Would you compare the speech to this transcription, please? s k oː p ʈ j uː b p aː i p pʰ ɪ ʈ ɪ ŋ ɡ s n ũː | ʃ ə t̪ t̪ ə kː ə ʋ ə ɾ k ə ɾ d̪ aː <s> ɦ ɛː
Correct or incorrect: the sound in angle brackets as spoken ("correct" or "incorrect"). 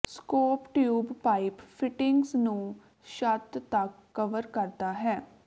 incorrect